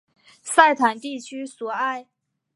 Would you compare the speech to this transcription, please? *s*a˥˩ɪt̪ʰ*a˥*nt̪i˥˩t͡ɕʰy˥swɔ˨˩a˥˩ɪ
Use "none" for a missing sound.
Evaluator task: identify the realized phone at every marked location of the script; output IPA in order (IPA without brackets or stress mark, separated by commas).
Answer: s, a˨˩